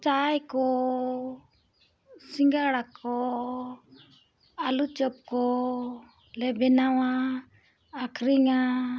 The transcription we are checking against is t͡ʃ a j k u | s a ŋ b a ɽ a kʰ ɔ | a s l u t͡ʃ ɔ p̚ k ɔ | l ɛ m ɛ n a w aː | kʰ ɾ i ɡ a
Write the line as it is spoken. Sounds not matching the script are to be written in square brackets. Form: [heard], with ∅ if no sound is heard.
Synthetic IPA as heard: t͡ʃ a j k [ɔ] | s [i] ŋ [ɡ] a ɽ a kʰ ɔ | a [∅] l u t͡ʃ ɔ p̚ k ɔ | l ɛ [b] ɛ n a w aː | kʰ ɾ i [ŋ] a